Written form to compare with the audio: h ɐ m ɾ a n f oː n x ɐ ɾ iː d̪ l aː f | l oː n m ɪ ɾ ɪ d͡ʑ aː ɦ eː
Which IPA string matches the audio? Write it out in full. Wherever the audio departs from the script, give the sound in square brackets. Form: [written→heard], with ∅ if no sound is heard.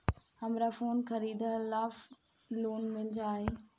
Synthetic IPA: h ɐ m ɾ a [n→∅] f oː n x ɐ ɾ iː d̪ l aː f | l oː n m ɪ [ɾ→l] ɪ d͡ʑ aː ɦ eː